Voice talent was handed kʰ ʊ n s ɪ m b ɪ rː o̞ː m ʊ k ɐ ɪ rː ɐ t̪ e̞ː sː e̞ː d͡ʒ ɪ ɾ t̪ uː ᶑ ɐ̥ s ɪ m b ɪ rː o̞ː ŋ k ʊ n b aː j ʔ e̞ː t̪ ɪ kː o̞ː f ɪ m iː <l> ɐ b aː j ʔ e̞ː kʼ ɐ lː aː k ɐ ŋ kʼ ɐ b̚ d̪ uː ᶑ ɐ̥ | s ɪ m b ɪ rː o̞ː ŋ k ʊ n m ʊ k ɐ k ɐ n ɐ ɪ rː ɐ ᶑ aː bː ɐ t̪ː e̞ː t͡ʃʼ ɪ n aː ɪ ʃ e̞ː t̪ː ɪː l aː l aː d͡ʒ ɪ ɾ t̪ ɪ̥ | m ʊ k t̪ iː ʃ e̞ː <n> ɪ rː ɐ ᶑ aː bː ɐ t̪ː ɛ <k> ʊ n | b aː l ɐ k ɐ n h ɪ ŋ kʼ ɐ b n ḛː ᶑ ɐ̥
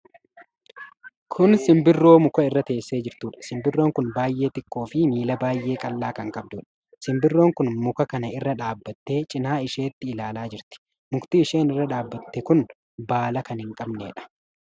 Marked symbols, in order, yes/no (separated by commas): yes, yes, yes